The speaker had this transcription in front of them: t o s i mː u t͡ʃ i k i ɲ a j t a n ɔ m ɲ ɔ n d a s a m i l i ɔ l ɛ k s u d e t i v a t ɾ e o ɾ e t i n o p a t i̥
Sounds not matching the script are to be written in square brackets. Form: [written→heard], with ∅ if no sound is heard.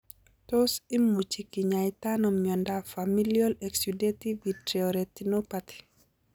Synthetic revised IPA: t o s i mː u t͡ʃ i k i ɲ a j t a n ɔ m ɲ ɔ n d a [s→f] a m i l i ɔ l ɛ k s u d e t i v [a→i] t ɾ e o ɾ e t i n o p a t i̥